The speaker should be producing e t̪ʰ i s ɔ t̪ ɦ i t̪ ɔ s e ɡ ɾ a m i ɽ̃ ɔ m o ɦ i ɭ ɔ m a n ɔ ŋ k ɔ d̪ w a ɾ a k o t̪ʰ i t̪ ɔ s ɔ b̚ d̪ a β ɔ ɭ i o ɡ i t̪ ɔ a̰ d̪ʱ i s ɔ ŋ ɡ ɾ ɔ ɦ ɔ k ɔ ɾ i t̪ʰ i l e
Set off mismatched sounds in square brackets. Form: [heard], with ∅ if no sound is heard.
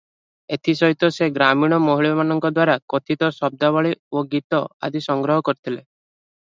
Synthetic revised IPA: e t̪ʰ i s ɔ [∅] ɦ i t̪ ɔ s e ɡ ɾ a m i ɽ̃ ɔ m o ɦ i ɭ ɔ m a n ɔ ŋ k ɔ d̪ w a ɾ a k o t̪ʰ i t̪ ɔ s ɔ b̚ d̪ a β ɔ ɭ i o ɡ i t̪ ɔ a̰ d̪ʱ i s ɔ ŋ ɡ ɾ ɔ ɦ ɔ k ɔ ɾ i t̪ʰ i l e